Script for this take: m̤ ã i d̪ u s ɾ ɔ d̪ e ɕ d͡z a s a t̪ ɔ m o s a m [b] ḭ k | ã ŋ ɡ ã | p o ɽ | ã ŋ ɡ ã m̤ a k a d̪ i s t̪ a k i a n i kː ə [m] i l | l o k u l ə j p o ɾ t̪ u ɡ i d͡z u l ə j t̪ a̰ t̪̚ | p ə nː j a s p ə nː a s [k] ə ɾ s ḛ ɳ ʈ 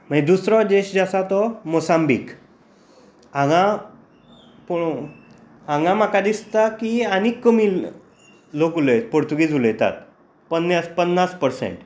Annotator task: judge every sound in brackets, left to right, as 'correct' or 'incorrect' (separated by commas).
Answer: correct, correct, incorrect